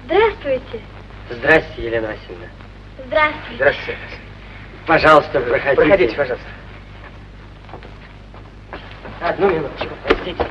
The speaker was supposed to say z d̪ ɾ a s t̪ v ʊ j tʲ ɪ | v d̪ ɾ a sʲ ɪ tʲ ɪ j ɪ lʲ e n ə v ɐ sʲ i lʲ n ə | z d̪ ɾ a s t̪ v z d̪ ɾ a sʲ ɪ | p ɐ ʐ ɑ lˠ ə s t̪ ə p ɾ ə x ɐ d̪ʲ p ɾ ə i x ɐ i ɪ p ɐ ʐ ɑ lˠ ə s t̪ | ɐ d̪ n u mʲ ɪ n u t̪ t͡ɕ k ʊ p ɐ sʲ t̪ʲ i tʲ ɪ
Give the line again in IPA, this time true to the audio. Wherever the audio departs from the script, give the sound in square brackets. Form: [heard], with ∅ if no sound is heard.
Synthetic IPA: z d̪ ɾ a s t̪ v ʊ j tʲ ɪ | [z] d̪ ɾ a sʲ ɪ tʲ ɪ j ɪ lʲ e n ə v ɐ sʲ i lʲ n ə | z d̪ ɾ a s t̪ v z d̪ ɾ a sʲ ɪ | p ɐ ʐ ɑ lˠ ə s t̪ ə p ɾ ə x ɐ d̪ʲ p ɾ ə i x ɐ i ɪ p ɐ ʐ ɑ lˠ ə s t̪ | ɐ d̪ n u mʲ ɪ n u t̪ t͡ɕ k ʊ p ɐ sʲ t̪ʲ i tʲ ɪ

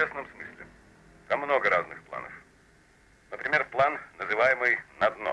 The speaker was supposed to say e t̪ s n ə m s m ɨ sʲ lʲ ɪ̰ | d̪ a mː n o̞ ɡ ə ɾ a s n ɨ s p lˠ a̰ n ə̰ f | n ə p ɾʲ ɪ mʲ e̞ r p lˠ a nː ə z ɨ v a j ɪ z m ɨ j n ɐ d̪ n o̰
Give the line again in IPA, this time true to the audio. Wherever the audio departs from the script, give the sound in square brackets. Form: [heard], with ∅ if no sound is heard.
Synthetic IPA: e [∅] s n ə m s m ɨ sʲ lʲ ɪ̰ | [t̪] a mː n o̞ ɡ ə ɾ a [z] n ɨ [x] p lˠ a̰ n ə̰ f | n ə p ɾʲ ɪ mʲ e̞ r p lˠ a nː ə z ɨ v a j ɪ [∅] m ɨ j n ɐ d̪ n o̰

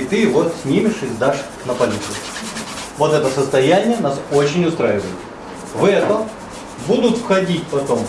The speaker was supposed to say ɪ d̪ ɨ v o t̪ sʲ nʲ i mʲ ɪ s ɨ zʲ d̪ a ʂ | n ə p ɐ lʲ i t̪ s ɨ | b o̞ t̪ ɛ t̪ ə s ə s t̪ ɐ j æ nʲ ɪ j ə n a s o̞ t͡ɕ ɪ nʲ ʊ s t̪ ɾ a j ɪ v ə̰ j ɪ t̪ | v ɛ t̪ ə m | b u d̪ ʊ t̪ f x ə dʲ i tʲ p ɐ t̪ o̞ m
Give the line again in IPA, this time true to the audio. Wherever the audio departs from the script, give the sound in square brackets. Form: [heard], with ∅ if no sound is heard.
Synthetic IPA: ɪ [t̪] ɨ v o t̪ sʲ nʲ i mʲ ɪ [ʂ] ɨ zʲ d̪ a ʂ | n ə p ɐ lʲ i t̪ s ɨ | [v] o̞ t̪ ɛ t̪ ə s ə s t̪ ɐ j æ nʲ ɪ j ə n a s o̞ t͡ɕ ɪ nʲ ʊ s t̪ ɾ a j ɪ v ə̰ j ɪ t̪ | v ɛ t̪ ə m | b u d̪ ʊ t̪ f x [ɐ] dʲ i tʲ p ɐ t̪ o̞ m

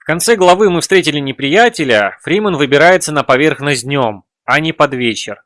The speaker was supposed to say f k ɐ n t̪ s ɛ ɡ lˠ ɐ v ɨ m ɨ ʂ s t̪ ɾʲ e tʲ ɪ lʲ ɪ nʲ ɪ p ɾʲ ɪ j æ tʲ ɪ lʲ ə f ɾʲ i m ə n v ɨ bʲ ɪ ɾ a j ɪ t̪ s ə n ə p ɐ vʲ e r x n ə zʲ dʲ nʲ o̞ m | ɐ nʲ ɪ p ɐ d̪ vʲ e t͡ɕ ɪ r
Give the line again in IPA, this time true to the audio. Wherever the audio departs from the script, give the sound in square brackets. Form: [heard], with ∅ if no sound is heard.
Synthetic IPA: f k ɐ n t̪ s ɛ ɡ lˠ ɐ v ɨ m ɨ [f] s t̪ ɾʲ e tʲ ɪ lʲ ɪ nʲ ɪ p ɾʲ ɪ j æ tʲ ɪ lʲ ə f ɾʲ i m ə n v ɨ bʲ ɪ ɾ a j ɪ t̪ s ə n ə p ɐ vʲ e r x n ə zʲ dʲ nʲ o̞ m | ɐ nʲ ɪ p ɐ d̪ vʲ e t͡ɕ ɪ r

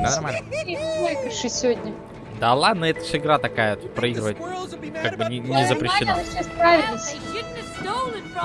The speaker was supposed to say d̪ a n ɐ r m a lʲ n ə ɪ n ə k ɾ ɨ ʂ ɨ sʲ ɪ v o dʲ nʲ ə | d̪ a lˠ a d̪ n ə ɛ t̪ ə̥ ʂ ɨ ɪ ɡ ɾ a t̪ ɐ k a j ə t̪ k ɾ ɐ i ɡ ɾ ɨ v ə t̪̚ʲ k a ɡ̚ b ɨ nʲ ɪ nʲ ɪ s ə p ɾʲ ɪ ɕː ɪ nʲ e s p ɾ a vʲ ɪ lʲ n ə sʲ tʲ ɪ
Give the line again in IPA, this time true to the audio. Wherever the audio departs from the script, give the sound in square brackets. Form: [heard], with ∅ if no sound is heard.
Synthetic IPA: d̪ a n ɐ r m a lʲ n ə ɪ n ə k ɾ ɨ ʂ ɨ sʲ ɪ v o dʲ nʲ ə | d̪ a lˠ a d̪ n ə ɛ t̪ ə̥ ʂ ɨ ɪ ɡ ɾ a t̪ ɐ k a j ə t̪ [p] ɾ ɐ i ɡ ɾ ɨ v ə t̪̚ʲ k a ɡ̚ b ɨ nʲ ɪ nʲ ɪ [z] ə p ɾʲ ɪ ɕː ɪ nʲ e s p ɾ a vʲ ɪ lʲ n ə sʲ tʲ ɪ

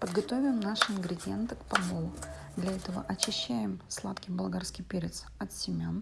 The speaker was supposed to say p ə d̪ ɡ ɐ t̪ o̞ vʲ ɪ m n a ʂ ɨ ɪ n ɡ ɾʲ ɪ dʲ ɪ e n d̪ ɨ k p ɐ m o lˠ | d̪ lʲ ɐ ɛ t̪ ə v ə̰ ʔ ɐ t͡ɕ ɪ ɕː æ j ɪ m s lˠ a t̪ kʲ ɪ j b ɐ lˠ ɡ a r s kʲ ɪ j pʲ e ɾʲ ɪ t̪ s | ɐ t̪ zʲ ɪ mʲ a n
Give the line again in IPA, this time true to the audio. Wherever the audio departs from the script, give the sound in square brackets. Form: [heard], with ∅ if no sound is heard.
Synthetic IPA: p ə d̪ ɡ ɐ t̪ o̞ vʲ ɪ m n a ʂ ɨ ɪ n ɡ ɾʲ ɪ dʲ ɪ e n [t̪] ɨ k p ɐ m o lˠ | d̪ lʲ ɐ ɛ t̪ ə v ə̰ ʔ ɐ t͡ɕ ɪ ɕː æ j ɪ m s lˠ a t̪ kʲ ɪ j b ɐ lˠ ɡ a r s kʲ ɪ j pʲ e ɾʲ ɪ t̪ s | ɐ t̪ [sʲ] ɪ mʲ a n

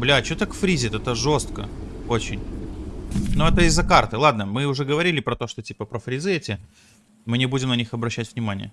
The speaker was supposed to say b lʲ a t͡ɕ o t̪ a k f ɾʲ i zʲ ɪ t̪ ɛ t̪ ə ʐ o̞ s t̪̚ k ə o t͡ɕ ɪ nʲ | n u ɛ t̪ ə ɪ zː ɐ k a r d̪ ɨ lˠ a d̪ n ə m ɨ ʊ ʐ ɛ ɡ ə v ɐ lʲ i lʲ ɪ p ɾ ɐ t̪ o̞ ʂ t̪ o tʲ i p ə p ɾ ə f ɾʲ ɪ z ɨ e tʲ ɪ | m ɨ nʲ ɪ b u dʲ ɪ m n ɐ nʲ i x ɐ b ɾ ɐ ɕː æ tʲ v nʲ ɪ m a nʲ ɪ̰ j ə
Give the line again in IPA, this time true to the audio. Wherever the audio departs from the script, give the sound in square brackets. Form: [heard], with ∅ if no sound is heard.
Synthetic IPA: b lʲ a t͡ɕ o t̪ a k f ɾʲ i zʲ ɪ t̪ ɛ t̪ ə ʐ o̞ s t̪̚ k ə o t͡ɕ ɪ nʲ | n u ɛ t̪ ə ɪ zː ɐ k a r [t̪] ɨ lˠ a d̪ n ə m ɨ ʊ ʐ ɛ ɡ ə v ɐ [ɾʲ] i lʲ ɪ p ɾ ɐ t̪ o̞ ʂ t̪ o tʲ i p ə p ɾ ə f ɾʲ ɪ z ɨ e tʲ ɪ | m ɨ nʲ ɪ b u dʲ ɪ m n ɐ nʲ i x ɐ b ɾ ɐ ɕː æ tʲ v nʲ ɪ m a nʲ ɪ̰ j ə

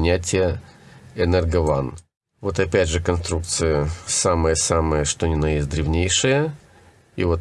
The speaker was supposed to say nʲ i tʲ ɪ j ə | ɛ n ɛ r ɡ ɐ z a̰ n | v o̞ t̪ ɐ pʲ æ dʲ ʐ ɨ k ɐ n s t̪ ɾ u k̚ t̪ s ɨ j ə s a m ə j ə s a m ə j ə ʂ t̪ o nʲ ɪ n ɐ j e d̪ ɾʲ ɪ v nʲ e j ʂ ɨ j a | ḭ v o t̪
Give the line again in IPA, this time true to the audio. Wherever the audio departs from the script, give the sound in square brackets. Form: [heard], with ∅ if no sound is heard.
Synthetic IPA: nʲ [æ] tʲ ɪ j ə | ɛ n ɛ r ɡ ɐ [v] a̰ n | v o̞ t̪ ɐ pʲ æ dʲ ʐ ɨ k ɐ n s t̪ ɾ u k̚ t̪ s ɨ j ə s a m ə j ə s a m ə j ə ʂ t̪ o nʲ ɪ n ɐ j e d̪ ɾʲ ɪ v nʲ e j ʂ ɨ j [ə] | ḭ v o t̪

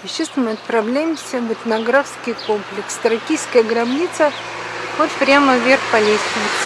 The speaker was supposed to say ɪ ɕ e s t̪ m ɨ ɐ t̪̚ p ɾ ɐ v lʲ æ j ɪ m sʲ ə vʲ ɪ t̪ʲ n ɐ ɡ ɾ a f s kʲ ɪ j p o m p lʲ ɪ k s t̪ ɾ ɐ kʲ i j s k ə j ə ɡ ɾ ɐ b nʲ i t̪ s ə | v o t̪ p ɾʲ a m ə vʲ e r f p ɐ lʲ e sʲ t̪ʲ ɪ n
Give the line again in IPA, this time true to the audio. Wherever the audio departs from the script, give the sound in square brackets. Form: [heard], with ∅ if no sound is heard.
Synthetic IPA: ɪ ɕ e s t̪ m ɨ ɐ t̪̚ p ɾ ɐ v lʲ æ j ɪ m sʲ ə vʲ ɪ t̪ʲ n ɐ ɡ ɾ a f s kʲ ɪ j [k] o m p lʲ ɪ k s t̪ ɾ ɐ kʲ i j s k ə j ə ɡ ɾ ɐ b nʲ i t̪ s ə | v o t̪ p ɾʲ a m ə vʲ e r [x] p ɐ lʲ e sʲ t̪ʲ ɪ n

